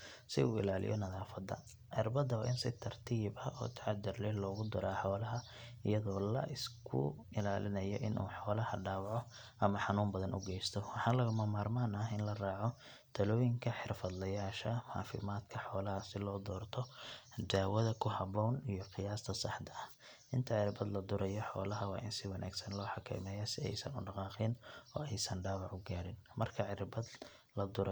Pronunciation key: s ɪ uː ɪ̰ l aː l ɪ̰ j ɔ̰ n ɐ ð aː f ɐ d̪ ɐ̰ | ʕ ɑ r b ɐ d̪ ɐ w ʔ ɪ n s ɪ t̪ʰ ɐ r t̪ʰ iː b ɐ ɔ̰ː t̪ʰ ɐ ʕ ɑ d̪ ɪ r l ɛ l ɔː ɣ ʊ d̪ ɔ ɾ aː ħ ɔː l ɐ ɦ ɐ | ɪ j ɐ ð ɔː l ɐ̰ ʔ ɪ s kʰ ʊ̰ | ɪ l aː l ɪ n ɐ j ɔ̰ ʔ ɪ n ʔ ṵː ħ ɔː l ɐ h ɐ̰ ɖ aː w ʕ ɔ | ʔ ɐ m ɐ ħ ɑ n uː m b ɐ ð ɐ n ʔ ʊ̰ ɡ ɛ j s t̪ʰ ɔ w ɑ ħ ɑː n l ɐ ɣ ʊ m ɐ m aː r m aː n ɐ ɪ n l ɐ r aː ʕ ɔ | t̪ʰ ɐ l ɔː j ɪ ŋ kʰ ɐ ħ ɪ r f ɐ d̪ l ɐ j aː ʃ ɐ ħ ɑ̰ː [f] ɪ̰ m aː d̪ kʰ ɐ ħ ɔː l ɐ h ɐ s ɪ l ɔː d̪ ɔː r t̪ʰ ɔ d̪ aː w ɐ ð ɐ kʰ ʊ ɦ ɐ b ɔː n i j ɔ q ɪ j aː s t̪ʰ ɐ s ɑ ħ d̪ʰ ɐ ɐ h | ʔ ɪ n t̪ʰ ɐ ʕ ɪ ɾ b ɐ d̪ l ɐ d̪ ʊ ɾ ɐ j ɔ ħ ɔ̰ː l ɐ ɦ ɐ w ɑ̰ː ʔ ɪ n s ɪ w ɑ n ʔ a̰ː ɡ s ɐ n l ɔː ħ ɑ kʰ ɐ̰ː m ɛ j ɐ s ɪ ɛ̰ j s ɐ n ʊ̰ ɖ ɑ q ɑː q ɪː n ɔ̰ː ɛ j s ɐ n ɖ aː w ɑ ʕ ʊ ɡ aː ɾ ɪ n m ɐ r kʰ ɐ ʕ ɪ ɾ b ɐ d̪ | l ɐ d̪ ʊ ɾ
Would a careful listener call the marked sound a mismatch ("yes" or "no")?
no